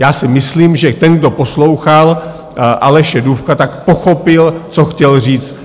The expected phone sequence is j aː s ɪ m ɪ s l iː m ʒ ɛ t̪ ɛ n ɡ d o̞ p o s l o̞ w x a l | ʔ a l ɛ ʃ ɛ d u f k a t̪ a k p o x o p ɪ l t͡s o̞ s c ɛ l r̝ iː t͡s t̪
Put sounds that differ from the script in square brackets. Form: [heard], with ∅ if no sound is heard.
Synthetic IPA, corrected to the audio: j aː s ɪ m ɪ s l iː m ʒ ɛ t̪ ɛ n ɡ d o̞ p o s l o̞ w x a l | ʔ a l ɛ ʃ ɛ d u f k a t̪ a k p o x o p ɪ l t͡s o̞ [x] c ɛ l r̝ iː t͡s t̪